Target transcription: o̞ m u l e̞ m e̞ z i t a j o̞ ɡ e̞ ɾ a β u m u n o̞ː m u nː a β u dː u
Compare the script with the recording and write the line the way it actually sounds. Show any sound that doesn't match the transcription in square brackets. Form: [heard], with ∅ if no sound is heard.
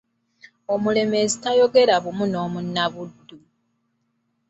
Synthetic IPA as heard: o̞ m u l e̞ m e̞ z i t a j o̞ ɡ e̞ ɾ a β u m u n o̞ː m u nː a β u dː u